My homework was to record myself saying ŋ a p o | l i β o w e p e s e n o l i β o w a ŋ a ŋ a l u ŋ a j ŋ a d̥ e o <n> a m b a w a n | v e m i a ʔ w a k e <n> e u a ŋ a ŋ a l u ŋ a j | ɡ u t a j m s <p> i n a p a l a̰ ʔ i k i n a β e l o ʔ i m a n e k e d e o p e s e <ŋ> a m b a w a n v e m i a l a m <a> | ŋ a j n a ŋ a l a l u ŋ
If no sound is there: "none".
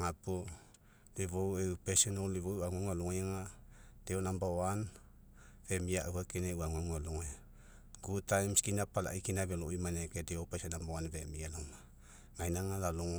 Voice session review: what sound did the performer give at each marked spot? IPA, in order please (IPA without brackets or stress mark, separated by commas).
n, n, k, n, a